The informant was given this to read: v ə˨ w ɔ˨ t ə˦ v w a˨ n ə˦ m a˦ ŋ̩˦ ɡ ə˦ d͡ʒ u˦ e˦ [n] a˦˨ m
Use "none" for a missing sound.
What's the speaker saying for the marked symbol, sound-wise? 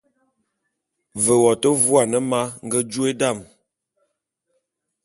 d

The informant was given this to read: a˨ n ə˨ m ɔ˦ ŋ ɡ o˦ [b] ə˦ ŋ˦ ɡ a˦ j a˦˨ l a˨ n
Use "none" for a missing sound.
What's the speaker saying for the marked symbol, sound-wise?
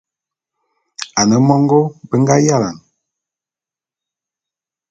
b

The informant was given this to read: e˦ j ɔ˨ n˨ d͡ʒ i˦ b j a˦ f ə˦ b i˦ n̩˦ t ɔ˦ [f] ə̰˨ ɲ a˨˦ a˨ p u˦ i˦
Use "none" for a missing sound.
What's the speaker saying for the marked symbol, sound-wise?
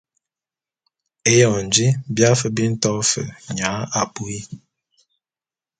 f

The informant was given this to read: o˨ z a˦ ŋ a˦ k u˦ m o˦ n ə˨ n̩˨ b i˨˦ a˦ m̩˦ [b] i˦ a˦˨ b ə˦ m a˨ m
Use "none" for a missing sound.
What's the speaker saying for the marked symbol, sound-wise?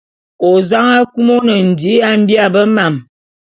b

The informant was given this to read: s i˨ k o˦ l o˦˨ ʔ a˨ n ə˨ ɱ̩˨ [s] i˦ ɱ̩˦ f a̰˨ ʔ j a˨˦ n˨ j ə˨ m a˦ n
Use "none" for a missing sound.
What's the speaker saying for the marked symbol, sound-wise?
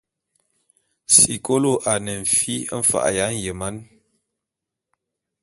f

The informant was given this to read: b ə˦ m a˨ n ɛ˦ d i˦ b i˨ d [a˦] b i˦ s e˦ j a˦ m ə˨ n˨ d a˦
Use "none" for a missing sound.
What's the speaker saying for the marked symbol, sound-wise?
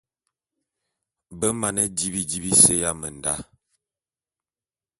i˦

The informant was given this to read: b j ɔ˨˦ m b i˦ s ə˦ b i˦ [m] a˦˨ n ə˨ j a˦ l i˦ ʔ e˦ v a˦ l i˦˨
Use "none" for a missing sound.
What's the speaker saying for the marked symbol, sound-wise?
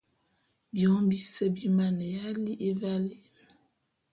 m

